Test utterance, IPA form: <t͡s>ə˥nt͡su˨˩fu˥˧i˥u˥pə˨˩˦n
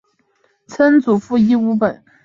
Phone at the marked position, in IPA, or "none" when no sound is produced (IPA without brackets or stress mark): t͡sʰ